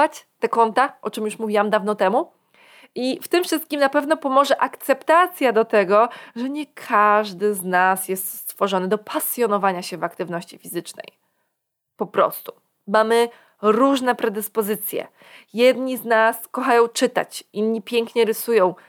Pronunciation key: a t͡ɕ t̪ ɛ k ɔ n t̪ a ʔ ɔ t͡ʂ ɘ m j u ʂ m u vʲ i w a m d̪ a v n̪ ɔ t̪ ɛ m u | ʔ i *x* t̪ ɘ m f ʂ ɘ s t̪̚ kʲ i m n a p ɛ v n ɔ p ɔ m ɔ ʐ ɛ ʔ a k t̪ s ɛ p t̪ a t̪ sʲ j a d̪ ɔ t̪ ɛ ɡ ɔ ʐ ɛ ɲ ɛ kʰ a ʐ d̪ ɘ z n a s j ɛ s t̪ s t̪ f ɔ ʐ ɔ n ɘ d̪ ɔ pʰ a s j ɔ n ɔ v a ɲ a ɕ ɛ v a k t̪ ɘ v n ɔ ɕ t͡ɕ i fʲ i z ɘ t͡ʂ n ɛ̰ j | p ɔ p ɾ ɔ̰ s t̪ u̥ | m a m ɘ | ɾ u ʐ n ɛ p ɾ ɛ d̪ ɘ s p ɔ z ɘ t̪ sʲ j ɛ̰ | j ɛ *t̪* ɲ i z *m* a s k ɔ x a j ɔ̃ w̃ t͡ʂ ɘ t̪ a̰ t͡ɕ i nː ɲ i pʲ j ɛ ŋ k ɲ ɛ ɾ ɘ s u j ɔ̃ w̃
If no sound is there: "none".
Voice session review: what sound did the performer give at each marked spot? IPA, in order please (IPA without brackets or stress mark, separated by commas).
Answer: f, d̪, n